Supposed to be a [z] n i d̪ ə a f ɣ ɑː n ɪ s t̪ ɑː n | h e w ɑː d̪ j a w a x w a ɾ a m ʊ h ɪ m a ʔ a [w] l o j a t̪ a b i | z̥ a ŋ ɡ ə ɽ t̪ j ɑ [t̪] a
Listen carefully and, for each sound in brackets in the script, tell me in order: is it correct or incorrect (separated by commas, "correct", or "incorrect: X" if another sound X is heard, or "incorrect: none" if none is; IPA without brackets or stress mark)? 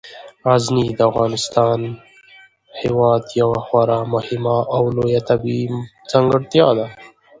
correct, correct, incorrect: d̪